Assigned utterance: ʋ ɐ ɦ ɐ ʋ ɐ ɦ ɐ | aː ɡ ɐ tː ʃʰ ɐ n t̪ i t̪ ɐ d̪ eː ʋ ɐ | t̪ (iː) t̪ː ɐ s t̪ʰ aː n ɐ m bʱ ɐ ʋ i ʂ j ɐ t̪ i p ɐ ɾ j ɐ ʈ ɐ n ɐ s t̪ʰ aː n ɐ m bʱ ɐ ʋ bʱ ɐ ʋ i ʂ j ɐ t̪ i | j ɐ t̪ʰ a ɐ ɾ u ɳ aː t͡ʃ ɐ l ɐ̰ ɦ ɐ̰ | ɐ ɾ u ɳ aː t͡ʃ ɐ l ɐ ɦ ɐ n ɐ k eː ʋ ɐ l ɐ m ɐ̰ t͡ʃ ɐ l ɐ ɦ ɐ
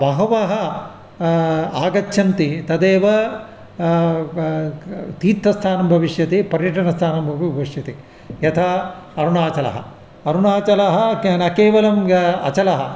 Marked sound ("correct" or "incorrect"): correct